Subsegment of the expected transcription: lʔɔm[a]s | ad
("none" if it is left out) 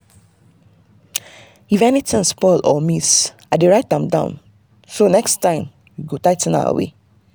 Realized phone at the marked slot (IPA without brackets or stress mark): i